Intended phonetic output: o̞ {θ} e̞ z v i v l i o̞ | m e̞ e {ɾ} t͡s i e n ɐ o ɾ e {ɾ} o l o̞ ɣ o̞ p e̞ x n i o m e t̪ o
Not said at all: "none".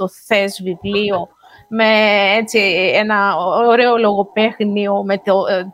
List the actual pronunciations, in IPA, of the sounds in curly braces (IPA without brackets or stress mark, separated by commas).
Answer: θ, none, none